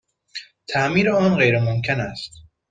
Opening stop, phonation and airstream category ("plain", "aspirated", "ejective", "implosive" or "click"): aspirated